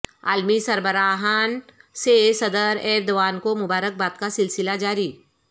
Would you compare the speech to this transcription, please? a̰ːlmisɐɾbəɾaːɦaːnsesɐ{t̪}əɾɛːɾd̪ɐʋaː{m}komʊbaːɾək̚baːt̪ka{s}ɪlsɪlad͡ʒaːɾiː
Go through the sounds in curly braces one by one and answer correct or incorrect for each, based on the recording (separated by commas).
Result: incorrect, incorrect, correct